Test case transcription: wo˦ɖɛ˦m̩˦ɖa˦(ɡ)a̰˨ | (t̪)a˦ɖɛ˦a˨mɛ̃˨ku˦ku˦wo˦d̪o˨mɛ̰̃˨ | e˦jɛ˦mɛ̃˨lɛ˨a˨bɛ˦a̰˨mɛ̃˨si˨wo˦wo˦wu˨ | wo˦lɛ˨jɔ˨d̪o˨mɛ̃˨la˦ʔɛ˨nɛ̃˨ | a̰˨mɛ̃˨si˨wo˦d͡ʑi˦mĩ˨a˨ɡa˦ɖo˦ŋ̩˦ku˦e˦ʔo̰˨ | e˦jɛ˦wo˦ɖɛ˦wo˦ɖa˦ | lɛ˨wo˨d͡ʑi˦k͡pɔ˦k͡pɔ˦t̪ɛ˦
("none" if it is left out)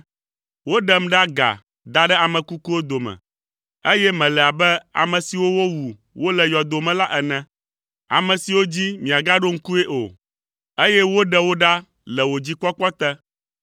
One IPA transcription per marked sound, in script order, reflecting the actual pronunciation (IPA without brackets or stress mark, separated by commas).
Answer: ɡ, d̪